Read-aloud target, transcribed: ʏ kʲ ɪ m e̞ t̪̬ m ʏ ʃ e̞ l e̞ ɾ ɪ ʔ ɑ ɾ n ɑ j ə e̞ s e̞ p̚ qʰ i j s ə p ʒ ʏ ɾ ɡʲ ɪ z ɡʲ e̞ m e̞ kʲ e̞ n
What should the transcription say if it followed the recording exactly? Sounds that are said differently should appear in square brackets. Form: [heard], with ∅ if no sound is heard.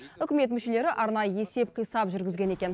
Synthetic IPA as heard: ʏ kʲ ɪ m e̞ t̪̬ m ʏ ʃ e̞ l e̞ ɾ ɪ ʔ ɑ ɾ n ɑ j ə e̞ s e̞ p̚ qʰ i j s [ɑ] p ʒ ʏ ɾ ɡʲ ɪ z ɡʲ e̞ [n] e̞ kʲ e̞ n